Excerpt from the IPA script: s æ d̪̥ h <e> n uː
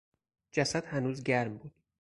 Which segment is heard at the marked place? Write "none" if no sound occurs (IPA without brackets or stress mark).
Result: æ